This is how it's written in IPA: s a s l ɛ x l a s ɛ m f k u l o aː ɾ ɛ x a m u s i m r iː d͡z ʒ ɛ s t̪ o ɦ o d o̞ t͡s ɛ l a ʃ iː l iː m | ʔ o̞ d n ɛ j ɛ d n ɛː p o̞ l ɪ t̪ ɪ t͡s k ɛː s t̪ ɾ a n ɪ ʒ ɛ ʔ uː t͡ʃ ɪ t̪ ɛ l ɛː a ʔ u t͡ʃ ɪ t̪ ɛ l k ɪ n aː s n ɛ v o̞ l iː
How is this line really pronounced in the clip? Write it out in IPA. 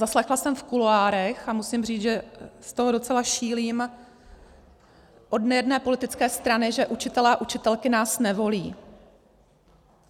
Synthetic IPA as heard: z a s l ɛ x l a s ɛ m f k u l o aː ɾ ɛ x a m u s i m r iː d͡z ʒ ɛ s t̪ o ɦ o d o̞ t͡s ɛ l a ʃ iː l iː m | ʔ o̞ d n ɛ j ɛ d n ɛː p o̞ l ɪ t̪ ɪ t͡s k ɛː s t̪ ɾ a n ɪ ʒ ɛ ʔ u t͡ʃ ɪ t̪ ɛ l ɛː a ʔ u t͡ʃ ɪ t̪ ɛ l k ɪ n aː s n ɛ v o̞ l iː